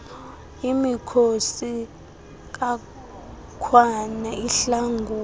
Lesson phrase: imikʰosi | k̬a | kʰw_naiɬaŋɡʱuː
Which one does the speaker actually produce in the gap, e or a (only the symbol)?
a